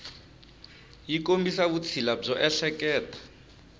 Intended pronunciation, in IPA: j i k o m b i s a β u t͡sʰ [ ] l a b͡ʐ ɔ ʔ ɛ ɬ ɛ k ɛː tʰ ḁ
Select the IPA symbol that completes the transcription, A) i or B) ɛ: A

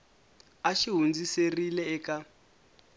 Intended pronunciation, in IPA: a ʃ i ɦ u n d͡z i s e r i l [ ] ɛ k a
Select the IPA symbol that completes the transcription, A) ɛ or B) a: A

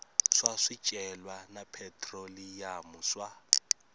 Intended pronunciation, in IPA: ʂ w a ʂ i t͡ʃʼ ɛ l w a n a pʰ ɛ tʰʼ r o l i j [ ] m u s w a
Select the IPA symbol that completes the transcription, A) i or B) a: B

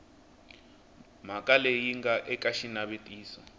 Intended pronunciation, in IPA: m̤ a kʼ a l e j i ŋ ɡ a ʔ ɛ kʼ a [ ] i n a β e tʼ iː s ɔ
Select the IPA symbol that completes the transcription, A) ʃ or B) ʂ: A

